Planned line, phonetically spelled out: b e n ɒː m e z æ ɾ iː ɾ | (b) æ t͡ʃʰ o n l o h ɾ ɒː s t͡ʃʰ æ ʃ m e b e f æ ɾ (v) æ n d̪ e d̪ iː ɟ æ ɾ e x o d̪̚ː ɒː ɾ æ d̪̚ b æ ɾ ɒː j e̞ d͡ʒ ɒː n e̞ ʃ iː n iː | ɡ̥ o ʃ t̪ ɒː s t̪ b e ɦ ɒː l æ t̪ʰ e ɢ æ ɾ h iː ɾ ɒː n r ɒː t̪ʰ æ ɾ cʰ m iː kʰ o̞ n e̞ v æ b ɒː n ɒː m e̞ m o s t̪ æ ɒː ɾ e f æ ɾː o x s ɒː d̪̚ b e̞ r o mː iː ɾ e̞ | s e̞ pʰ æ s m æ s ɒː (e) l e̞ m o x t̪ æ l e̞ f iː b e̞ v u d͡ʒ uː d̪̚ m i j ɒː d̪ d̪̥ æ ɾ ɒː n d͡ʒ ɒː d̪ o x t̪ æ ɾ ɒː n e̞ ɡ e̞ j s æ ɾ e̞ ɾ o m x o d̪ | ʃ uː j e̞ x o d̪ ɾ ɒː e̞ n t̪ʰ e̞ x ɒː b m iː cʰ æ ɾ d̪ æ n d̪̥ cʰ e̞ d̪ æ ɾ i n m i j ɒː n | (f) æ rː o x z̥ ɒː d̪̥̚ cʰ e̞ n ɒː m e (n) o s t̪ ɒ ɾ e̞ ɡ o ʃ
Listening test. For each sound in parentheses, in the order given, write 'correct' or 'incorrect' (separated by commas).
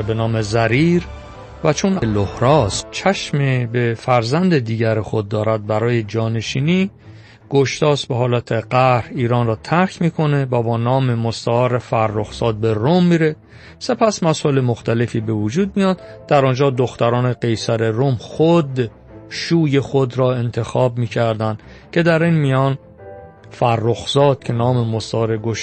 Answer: incorrect, incorrect, correct, correct, incorrect